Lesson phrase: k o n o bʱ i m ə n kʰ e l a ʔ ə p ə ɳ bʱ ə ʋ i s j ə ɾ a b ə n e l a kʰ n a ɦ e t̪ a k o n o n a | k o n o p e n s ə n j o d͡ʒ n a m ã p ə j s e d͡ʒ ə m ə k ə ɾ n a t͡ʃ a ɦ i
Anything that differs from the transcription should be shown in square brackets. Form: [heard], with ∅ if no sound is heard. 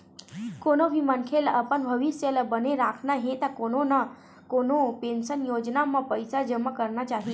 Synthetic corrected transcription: k o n o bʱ i m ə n kʰ e l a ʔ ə p ə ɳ bʱ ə ʋ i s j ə [l] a b ə n e [ɾ] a kʰ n a ɦ e t̪ a k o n o n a | k o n o p e n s ə n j o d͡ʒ n a m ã p ə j s [a] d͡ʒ ə m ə k ə ɾ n a t͡ʃ a ɦ i